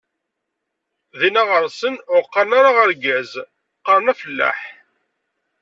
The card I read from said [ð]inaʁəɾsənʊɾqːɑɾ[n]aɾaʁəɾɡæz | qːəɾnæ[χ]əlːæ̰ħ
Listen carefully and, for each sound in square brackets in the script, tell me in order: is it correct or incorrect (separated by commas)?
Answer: correct, correct, incorrect